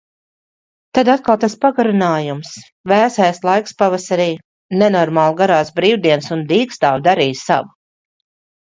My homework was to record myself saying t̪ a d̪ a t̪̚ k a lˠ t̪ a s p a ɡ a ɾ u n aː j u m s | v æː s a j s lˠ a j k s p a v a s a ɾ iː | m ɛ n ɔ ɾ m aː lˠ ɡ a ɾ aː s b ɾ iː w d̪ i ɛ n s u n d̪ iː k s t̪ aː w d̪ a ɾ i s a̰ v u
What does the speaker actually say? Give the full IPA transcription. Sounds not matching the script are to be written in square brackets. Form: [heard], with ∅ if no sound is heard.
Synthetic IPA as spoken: t̪ a d̪ a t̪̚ k a lˠ t̪ a s p a ɡ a ɾ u n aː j u m s | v æː s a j s lˠ a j k s p a v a s a ɾ iː | [n] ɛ n ɔ ɾ m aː lˠ ɡ a ɾ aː s b ɾ iː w d̪ i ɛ n s u n d̪ iː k s t̪ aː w d̪ a ɾ [iː] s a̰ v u